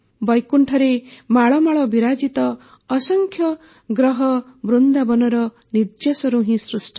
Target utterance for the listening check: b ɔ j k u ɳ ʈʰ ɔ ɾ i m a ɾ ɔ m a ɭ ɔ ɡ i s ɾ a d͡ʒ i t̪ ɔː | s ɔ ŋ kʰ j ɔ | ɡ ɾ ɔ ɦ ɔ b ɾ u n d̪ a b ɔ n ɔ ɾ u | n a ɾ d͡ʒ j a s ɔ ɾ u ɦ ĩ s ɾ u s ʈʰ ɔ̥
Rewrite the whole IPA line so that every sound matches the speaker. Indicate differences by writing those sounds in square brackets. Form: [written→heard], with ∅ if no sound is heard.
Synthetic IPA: b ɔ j k u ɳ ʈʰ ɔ ɾ [i→e] m a [ɾ→ɭ] ɔ m a ɭ ɔ [ɡ→b] i [s→∅] ɾ a d͡ʒ i t̪ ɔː | s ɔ ŋ kʰ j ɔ | ɡ ɾ ɔ ɦ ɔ b ɾ u n d̪ a b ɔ n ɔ ɾ [u→ɔ] | n [a→i] ɾ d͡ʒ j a s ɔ ɾ u ɦ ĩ s ɾ u s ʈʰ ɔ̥